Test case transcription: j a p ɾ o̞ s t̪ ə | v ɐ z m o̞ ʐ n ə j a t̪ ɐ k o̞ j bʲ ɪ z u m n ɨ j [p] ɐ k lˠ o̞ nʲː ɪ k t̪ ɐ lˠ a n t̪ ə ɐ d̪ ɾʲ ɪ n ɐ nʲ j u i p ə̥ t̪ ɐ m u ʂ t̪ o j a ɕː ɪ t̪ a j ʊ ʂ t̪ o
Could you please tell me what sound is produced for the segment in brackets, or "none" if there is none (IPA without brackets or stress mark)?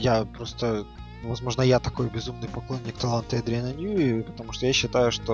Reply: p